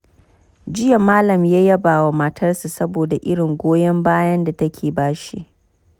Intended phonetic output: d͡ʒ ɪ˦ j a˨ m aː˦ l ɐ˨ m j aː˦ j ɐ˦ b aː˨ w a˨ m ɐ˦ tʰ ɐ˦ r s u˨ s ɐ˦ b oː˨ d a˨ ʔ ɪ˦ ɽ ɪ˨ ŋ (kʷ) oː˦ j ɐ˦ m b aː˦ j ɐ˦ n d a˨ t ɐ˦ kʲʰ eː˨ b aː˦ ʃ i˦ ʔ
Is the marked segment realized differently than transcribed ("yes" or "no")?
yes